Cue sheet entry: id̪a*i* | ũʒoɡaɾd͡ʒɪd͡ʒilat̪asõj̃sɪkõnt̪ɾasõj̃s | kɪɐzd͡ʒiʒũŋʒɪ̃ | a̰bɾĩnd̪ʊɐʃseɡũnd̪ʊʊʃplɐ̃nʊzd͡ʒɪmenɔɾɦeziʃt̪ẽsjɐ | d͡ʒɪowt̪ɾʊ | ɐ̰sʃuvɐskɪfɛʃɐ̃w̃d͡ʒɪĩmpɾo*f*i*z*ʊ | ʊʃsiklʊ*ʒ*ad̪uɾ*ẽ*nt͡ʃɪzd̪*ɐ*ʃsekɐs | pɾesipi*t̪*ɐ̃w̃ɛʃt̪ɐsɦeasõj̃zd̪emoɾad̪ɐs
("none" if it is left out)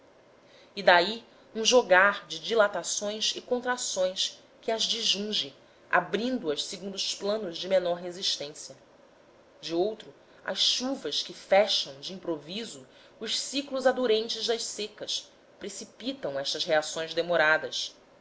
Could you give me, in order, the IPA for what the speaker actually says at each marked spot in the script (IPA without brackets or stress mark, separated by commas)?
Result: i, v, z, z, ẽ, ɐ, t̪